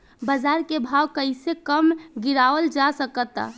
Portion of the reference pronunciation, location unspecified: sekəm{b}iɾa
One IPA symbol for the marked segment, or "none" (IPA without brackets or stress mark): ɡ